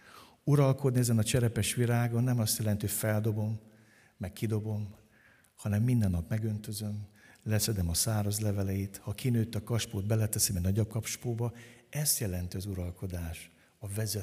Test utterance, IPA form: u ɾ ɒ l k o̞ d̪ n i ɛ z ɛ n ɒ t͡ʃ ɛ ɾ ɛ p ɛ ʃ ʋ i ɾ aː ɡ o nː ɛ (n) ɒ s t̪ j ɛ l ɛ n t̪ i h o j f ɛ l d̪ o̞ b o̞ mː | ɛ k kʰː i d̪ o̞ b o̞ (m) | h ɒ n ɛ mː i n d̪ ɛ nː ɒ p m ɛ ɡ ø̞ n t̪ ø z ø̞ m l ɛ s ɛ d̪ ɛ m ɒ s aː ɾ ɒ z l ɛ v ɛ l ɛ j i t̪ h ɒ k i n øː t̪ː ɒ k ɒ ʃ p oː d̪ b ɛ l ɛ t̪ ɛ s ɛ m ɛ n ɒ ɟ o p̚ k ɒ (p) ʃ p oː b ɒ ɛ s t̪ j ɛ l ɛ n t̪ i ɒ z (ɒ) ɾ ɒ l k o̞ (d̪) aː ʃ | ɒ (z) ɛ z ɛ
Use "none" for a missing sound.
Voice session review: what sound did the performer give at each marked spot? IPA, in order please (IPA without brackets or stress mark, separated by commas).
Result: m, m, p, u, d̪, v